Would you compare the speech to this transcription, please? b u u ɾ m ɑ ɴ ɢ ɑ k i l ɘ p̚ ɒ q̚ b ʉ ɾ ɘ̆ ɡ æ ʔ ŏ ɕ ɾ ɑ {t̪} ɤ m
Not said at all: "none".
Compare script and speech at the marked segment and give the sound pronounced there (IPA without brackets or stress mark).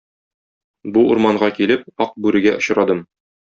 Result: d̪